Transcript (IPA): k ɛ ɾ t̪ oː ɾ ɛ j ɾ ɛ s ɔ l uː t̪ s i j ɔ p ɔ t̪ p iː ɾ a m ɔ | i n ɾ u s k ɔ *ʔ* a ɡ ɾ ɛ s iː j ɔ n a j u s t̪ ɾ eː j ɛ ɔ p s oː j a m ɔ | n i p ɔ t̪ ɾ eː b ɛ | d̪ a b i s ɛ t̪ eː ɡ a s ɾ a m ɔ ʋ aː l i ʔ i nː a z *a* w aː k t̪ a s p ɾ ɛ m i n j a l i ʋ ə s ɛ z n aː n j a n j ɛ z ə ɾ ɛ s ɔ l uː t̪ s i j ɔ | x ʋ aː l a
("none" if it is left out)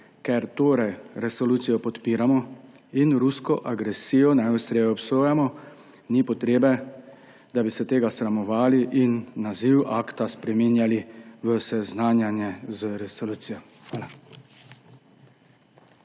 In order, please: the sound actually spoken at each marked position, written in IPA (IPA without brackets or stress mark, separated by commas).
ʔ, i